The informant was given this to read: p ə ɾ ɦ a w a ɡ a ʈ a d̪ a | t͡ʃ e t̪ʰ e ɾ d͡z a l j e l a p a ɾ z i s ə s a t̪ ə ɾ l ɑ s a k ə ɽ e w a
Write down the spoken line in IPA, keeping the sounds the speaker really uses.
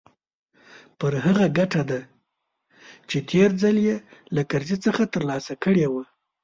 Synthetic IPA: p ə ɾ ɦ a ɣ a ɡ a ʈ a d̪ a | t͡ʃ e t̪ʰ e ɾ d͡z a l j e l a k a ɾ z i t͡s ə x a t̪ ə ɾ l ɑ s a k ə ɽ e w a